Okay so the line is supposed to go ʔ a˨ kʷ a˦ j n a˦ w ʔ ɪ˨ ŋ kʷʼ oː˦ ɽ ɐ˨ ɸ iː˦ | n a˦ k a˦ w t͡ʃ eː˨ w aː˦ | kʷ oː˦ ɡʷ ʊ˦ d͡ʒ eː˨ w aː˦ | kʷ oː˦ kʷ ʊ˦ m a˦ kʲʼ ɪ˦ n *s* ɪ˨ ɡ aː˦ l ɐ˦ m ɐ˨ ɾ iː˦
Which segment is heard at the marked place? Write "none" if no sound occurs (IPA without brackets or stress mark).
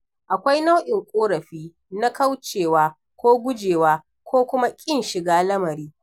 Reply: ʃ